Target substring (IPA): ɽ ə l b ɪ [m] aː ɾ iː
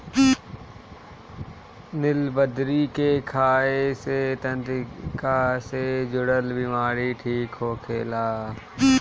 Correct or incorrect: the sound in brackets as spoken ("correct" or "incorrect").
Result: correct